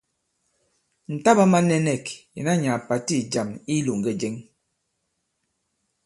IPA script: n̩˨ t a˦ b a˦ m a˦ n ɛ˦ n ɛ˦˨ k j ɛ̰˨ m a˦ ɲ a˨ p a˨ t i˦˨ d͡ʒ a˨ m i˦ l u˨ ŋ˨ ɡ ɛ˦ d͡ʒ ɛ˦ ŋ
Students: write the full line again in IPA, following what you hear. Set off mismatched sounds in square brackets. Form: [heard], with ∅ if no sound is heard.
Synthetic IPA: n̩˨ t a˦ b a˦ m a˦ n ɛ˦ n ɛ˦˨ k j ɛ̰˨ [n] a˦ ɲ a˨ p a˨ t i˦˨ d͡ʒ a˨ m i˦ l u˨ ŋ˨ ɡ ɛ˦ d͡ʒ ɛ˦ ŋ